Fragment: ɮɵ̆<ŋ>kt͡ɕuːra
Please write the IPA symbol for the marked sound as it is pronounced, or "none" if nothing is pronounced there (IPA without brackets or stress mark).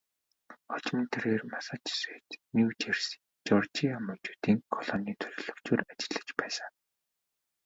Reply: none